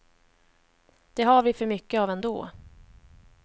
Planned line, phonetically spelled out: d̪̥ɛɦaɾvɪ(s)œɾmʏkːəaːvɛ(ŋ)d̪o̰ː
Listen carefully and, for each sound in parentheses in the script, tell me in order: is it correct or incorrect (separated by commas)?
incorrect, incorrect